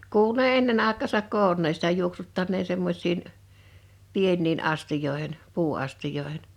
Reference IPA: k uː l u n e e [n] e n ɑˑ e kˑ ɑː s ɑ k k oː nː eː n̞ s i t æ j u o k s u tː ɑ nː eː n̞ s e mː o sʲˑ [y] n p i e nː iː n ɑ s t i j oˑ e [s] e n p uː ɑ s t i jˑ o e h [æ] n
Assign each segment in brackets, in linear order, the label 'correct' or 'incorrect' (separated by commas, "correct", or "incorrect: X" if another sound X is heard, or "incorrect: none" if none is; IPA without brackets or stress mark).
incorrect: nː, incorrect: i, incorrect: h, incorrect: e